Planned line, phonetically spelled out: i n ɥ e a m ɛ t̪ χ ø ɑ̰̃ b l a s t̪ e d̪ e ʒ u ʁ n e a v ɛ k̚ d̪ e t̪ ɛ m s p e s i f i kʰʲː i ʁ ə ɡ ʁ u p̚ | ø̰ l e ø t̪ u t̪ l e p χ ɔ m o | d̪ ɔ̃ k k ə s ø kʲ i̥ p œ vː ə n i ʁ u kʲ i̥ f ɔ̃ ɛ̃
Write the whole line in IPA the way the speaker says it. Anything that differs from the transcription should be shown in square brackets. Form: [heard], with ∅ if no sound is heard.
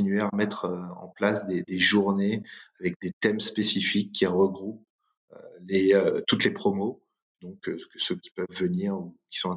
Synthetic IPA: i n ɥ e a m ɛ t̪ χ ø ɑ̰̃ [p] l a s [d̪] e d̪ e ʒ u ʁ n e a v ɛ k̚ d̪ e t̪ ɛ m s p e s i f i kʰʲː i ʁ ə ɡ ʁ u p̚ | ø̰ l e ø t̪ u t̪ l e p χ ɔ m o | d̪ ɔ̃ k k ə s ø kʲ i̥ p œ vː ə n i ʁ u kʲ i̥ [s] ɔ̃ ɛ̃